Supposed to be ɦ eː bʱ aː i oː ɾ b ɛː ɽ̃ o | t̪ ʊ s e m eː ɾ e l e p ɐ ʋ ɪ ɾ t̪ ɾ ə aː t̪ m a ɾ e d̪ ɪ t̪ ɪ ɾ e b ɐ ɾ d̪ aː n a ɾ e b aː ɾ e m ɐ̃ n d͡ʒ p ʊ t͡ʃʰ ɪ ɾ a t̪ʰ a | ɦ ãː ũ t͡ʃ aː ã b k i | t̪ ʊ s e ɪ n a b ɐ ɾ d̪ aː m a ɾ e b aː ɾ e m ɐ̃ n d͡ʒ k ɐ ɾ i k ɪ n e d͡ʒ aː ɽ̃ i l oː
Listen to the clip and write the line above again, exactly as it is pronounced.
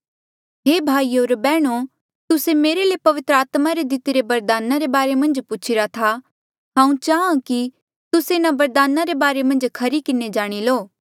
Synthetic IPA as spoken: ɦ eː bʱ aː i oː ɾ b ɛː ɽ̃ o | t̪ ʊ s e m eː ɾ e l e p ɐ ʋ ɪ t̪ ɾ ə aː t̪ m a ɾ e d̪ ɪ t̪ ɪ ɾ e b ɐ ɾ d̪ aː n a ɾ e b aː ɾ e m ɐ̃ n d͡ʒ p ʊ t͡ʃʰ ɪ ɾ a t̪ʰ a | ɦ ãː ũ t͡ʃ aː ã k i | t̪ ʊ s e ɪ n a b ɐ ɾ d̪ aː n a ɾ e b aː ɾ e m ɐ̃ n d͡ʒ kʰ ɐ ɾ i k ɪ n e d͡ʒ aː ɽ̃ i l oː

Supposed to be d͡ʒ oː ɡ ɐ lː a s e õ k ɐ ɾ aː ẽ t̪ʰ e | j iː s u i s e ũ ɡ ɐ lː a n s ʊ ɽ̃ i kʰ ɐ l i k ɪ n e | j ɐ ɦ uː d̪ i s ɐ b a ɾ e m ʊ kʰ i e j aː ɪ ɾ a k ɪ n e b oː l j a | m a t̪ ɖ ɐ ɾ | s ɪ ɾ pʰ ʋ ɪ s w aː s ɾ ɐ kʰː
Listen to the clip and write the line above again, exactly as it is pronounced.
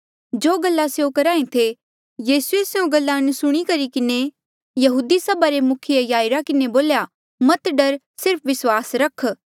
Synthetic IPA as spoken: d͡ʒ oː ɡ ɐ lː a s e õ k ɐ ɾ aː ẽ t̪ʰ e | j iː s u e s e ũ ɡ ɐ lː a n s ʊ ɽ̃ i k ɐ ɾ i k ɪ n e | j ɐ ɦ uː d̪ i s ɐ b a ɾ e m ʊ kʰ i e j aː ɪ ɾ a k ɪ n e b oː l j a | m ɐ t̪ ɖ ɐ ɾ | s ɪ ɾ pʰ ʋ ɪ s w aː s ɾ ɐ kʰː

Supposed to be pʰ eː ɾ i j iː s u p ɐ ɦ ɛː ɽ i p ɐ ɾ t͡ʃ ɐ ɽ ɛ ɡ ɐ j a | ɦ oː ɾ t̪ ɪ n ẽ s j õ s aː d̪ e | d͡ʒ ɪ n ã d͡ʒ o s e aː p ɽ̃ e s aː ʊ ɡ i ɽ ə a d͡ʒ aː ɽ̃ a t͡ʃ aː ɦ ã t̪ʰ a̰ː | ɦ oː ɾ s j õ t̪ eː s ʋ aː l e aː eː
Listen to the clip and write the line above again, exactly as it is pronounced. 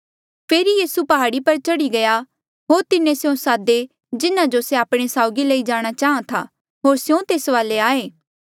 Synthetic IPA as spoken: pʰ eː ɾ i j iː s u p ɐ ɦ aː ɽ i p ɐ ɾ t͡ʃ ɐ ɽ i ɡ ɐ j a | ɦ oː ɾ t̪ ɪ n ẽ s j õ s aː d̪ e | d͡ʒ ɪ n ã d͡ʒ o s e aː p ɽ̃ e s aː ʊ ɡ i l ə i d͡ʒ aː ɽ̃ a t͡ʃ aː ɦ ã t̪ʰ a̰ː | ɦ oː ɾ s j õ t̪ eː s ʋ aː l e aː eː

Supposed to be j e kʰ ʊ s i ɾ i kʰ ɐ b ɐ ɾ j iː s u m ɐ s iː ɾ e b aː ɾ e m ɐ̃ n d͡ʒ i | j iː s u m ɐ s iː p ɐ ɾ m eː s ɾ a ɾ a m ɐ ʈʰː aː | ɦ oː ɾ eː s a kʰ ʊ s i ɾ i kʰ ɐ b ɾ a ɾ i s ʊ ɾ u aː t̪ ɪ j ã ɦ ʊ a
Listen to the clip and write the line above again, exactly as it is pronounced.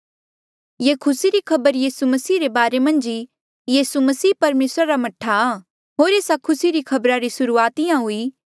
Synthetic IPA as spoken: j e kʰ ʊ s i ɾ i kʰ ɐ b ə ɾ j iː s u m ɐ s iː ɾ e b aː ɾ e m ɐ̃ n d͡ʒ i | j iː s u m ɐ s iː p ɐ ɾ m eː s ɾ a ɾ a m ɐ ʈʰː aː | ɦ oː ɾ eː s a kʰ ʊ s i ɾ i kʰ ɐ b ɾ a ɾ i s ʊ ɾ u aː t̪ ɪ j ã ɦ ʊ i

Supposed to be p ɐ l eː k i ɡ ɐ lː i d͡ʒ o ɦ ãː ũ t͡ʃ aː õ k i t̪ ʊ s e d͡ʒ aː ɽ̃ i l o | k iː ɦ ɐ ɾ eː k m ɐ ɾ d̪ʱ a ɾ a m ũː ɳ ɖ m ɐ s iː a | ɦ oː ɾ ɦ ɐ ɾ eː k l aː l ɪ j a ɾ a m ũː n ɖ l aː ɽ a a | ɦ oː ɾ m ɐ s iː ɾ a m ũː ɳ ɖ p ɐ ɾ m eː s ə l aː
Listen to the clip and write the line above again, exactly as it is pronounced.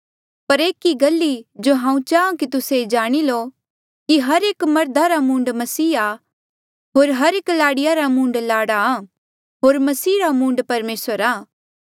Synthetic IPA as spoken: p ɐ ɾ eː k i ɡ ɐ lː i d͡ʒ o ɦ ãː ũ t͡ʃ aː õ k i t̪ ʊ s e d͡ʒ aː ɽ̃ i l o | k i ɦ ɐ ɾ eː k m ɐ ɾ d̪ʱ a ɾ a m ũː ɳ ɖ m ɐ s iː a | ɦ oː ɾ ɦ ɐ ɾ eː k l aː ɽ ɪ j a ɾ a m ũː ɳ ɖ l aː ɽ a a | ɦ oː ɾ m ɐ s iː ɾ a m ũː ɳ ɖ p ɐ ɾ m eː s ə ɾ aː

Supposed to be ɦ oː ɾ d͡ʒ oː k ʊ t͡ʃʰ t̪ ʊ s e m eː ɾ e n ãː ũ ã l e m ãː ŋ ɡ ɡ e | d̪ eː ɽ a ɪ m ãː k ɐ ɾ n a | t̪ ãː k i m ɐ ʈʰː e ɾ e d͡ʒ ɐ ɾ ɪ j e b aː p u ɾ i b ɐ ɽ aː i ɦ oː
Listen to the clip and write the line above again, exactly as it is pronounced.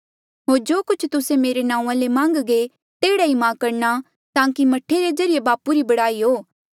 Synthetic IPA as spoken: ɦ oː ɾ d͡ʒ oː k ʊ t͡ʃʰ t̪ ʊ s e m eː ɾ e n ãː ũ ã l e m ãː ŋ ɡ ɡ e | t̪ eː ɽ a i m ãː k ɐ ɾ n a | t̪ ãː k i m ɐ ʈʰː e ɾ e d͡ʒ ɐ ɾ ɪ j e b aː p u ɾ i b ɐ ɽ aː i ɦ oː

